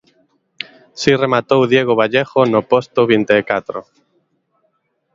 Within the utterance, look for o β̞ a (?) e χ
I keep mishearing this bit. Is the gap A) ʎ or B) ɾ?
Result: A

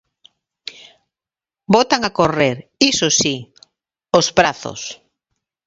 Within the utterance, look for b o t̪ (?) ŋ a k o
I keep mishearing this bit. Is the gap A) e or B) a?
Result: B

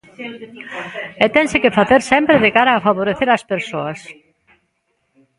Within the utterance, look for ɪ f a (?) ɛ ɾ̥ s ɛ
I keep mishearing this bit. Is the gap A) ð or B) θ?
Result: B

